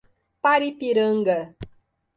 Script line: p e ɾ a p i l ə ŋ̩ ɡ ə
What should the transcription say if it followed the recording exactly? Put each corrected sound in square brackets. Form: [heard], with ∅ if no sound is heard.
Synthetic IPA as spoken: p [a] ɾ [i] p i [ɾ] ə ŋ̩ ɡ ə